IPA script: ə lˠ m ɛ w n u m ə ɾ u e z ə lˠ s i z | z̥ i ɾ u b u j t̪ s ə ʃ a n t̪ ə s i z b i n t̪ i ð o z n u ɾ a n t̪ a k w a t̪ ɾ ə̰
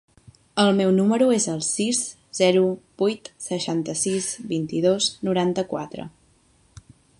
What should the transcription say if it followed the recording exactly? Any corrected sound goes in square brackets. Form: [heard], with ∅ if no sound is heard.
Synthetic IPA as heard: ə lˠ m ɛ w n u m ə ɾ u e z ə lˠ s i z | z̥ [ɛ] ɾ u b u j t̪ s ə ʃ a n t̪ ə s i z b i n t̪ i ð o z n u ɾ a n t̪ [ə] k w a t̪ ɾ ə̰